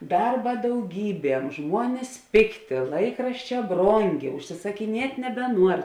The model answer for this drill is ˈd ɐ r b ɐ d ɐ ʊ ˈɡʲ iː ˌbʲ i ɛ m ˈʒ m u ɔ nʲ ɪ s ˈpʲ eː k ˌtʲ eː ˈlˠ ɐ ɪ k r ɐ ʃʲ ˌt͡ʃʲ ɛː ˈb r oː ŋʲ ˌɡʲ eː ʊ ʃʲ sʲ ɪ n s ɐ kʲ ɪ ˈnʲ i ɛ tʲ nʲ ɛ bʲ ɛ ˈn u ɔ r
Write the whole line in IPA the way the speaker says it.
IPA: ˈd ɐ r b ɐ d ɐ ʊ ˈɡʲ iː ˌbʲ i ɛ m ˈʒ m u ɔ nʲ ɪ s ˈpʲ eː k ˌtʲ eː ˈlˠ ɐ ɪ k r ɐ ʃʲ ˌt͡ʃʲ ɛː ˈb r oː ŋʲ ˌɡʲ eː ʊ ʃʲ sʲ ɪ s ɐ kʲ ɪ ˈnʲ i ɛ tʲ nʲ ɛ bʲ ɛ ˈn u ɔ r